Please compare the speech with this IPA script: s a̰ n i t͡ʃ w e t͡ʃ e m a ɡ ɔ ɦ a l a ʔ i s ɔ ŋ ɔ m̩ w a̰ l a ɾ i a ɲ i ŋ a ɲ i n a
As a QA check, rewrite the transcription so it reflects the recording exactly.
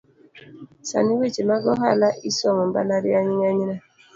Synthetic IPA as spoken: s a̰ n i w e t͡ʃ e m a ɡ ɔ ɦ a l a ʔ i s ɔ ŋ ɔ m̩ b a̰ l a ɾ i a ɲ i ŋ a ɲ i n a